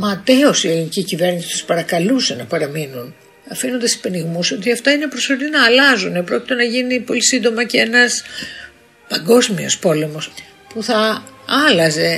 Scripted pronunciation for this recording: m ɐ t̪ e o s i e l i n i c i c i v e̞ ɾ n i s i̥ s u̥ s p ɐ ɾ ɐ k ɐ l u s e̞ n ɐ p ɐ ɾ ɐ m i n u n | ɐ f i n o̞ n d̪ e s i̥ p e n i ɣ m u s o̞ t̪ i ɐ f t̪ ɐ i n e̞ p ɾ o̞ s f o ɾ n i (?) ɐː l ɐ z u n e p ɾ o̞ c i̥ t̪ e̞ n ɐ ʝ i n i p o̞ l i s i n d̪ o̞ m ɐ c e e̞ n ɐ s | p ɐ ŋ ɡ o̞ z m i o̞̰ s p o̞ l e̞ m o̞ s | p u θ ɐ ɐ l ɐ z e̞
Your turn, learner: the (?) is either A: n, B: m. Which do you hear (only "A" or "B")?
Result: A